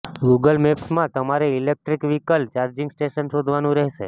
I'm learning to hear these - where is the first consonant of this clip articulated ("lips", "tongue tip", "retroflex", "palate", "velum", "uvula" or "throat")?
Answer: velum